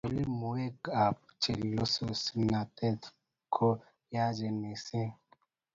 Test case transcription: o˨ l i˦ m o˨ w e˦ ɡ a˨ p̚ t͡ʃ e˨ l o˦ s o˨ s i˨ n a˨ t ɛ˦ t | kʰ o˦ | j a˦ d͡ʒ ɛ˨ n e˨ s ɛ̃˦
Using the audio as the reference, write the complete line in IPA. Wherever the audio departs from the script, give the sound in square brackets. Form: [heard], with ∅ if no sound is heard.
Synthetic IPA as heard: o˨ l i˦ m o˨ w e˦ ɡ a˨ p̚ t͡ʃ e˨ l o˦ s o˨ s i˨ n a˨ t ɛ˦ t | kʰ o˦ | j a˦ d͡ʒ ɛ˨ n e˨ s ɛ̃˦